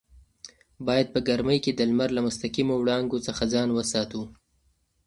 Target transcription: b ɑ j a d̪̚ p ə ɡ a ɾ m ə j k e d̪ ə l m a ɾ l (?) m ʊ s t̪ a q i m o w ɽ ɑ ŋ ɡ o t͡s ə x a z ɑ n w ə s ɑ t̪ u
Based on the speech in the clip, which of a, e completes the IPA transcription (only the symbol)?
a